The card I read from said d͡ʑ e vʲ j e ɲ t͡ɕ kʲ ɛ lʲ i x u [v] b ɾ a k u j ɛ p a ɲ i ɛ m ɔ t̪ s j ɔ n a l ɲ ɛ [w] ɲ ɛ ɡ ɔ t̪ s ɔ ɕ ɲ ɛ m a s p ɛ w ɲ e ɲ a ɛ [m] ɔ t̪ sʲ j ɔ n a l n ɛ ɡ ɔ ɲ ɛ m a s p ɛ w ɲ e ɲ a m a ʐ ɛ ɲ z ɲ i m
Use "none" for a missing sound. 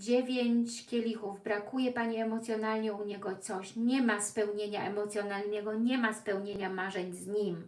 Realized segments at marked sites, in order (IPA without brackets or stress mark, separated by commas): v, u, m